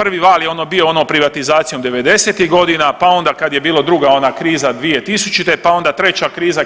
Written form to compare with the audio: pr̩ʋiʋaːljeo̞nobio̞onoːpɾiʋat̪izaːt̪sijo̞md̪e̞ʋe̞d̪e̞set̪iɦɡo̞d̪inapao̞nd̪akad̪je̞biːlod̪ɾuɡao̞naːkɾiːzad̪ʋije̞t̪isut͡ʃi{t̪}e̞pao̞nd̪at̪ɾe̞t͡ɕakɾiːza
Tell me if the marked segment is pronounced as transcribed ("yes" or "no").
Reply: yes